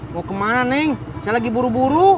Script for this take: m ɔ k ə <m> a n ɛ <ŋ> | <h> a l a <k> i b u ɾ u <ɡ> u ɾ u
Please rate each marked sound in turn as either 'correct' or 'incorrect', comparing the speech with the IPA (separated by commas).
correct, correct, incorrect, incorrect, incorrect